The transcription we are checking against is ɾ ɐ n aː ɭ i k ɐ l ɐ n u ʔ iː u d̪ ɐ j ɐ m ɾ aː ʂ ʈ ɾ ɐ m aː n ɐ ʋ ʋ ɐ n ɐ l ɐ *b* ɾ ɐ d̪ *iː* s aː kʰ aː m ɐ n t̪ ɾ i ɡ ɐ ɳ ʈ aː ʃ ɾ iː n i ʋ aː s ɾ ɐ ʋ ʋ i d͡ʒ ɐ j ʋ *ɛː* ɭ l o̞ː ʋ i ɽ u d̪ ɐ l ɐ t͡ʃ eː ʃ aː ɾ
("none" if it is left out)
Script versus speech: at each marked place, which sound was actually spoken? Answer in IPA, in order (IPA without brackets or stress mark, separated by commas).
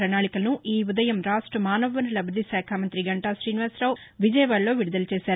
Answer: b, i, aː